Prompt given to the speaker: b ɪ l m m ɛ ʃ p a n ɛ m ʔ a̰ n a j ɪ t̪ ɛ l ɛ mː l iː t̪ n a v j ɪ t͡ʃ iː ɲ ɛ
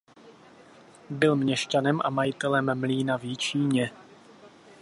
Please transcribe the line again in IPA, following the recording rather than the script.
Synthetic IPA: b ɪ l m ɲ ɛ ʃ c a n ɛ m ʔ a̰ m a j ɪ t̪ ɛ l ɛ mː l iː n a v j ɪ t͡ʃ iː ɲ ɛ